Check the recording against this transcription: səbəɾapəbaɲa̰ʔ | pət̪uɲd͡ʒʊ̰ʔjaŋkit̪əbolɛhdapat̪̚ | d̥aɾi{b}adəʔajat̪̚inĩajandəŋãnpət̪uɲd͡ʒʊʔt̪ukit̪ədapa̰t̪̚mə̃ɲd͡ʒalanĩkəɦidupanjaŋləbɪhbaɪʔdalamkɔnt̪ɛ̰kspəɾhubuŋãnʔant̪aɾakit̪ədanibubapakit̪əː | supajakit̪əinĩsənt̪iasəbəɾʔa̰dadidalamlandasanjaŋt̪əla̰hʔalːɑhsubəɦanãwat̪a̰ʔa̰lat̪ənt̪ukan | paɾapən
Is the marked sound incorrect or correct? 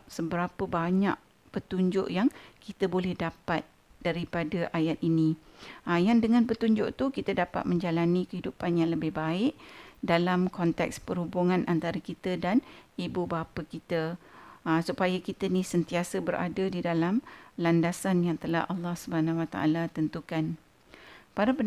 incorrect